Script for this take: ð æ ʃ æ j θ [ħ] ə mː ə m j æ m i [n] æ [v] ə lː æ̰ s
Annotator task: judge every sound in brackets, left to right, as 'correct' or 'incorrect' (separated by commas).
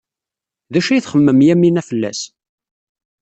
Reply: incorrect, correct, incorrect